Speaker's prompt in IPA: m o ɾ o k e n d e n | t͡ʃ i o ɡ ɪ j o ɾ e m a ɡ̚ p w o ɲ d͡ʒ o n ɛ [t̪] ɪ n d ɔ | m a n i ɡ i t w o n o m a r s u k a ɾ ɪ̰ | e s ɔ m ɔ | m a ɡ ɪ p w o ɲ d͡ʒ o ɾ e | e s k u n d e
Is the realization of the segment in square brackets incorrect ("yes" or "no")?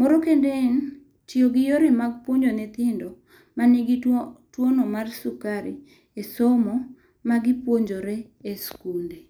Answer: no